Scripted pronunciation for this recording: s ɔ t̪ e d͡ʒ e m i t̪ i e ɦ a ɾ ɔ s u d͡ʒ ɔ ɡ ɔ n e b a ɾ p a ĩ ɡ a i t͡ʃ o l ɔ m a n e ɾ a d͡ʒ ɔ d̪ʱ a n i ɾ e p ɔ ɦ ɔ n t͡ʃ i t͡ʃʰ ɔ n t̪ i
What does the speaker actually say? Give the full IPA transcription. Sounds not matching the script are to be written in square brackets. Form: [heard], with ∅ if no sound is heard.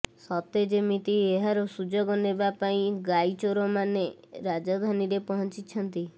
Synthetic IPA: s ɔ t̪ e d͡ʒ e m i t̪ i e ɦ a ɾ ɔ s u d͡ʒ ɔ ɡ ɔ n e b a [∅] p a ĩ ɡ a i t͡ʃ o [ɾ] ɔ m a n e ɾ a d͡ʒ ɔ d̪ʱ a n i ɾ e p ɔ ɦ ɔ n t͡ʃ i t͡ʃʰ ɔ n t̪ i